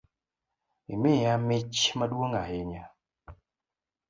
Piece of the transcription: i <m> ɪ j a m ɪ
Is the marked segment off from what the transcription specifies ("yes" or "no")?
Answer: no